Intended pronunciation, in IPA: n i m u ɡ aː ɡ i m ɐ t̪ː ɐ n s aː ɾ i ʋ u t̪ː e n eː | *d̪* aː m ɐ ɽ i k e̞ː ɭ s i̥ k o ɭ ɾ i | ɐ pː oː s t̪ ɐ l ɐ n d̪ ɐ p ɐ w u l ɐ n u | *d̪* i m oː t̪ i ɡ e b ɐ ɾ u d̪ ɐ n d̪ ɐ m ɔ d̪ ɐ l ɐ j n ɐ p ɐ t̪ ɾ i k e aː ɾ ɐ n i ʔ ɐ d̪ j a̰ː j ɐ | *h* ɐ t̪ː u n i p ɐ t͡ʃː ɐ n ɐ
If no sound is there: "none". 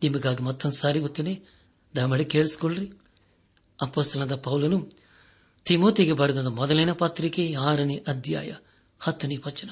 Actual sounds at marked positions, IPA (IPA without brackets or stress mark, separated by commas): d̪, t̪, h